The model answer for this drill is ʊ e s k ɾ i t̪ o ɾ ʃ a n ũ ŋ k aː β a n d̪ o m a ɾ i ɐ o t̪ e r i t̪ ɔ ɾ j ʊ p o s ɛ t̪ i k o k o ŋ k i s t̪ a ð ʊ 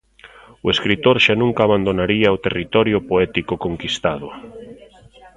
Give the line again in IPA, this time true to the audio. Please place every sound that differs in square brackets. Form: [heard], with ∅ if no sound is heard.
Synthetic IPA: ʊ e s k ɾ i t̪ o ɾ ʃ a n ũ ŋ k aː β a n d̪ o [n] a ɾ i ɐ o t̪ e r i t̪ ɔ ɾ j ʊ p o [∅] ɛ t̪ i k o k o ŋ k i s t̪ a ð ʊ